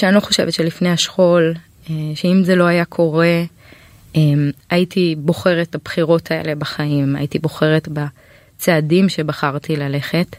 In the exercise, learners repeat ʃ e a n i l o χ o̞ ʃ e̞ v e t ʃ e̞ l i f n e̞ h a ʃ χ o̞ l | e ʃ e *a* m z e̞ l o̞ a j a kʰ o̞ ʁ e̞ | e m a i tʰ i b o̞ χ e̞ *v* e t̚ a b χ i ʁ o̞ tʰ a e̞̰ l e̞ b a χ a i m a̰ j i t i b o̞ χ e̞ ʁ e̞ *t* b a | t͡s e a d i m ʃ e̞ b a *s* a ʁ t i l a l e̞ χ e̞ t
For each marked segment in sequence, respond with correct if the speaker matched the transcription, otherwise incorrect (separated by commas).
incorrect, incorrect, correct, incorrect